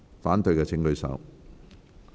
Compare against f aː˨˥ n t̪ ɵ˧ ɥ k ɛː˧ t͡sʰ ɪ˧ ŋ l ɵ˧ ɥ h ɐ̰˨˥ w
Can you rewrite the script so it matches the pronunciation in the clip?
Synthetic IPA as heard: f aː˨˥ n t̪ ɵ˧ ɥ k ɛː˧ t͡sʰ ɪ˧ ŋ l ɵ˧ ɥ s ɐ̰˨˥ w